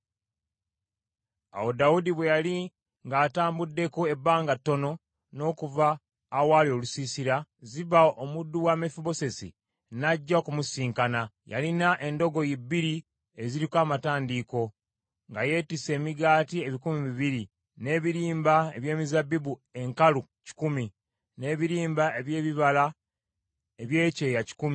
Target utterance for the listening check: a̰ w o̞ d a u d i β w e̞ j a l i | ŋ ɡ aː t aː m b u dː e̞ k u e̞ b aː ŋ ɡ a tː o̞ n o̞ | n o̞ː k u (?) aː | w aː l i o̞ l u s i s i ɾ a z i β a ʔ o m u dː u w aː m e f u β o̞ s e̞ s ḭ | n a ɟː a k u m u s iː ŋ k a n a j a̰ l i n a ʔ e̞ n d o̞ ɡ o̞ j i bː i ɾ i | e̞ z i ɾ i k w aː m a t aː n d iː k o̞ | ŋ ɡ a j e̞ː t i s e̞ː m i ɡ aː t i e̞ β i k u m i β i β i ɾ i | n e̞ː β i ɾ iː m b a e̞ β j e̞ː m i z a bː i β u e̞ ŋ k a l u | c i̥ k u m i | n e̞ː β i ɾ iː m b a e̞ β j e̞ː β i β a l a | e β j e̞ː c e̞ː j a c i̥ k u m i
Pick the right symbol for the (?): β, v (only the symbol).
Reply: v